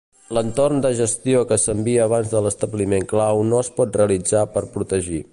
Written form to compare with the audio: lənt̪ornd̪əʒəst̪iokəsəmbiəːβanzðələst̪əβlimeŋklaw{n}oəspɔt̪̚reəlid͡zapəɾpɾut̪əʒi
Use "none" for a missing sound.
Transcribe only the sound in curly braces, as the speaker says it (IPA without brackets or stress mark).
n